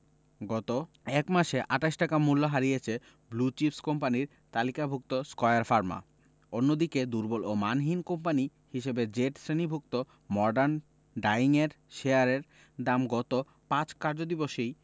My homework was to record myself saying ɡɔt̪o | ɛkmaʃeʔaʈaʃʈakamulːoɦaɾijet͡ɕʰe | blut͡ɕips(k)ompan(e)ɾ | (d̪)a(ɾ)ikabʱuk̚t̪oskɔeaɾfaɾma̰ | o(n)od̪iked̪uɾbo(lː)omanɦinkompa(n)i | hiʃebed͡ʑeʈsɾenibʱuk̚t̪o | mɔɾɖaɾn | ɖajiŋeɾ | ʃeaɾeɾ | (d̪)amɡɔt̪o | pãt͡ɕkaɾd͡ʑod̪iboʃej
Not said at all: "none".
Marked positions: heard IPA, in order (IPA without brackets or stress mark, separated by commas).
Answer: k, i, t̪, l, nː, l, n, d̪